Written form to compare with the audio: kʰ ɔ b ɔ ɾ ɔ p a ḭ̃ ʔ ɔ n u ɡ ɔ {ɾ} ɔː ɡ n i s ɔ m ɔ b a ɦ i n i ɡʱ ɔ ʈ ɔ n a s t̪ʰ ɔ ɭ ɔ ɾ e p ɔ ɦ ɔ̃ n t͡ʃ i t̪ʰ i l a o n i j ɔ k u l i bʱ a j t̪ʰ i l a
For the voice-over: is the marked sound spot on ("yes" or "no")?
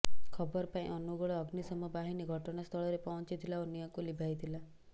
no